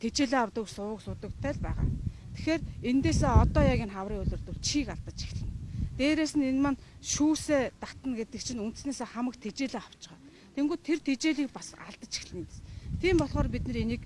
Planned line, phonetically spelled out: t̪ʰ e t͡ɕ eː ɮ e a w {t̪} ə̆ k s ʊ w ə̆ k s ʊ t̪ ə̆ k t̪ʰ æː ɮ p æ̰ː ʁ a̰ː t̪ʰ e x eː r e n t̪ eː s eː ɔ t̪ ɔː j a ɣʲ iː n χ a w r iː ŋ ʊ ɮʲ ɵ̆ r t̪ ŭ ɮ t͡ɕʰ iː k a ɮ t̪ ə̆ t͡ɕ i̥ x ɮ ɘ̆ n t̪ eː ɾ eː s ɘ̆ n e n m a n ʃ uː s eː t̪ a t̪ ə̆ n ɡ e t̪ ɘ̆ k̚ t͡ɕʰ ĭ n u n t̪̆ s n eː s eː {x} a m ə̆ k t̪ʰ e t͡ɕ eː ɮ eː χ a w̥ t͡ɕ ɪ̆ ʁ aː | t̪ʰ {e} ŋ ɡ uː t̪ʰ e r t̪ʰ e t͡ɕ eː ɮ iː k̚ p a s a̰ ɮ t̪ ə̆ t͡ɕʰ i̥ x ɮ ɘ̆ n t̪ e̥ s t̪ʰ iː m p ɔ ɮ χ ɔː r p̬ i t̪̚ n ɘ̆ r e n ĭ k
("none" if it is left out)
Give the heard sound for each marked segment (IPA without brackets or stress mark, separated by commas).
t̪, χ, e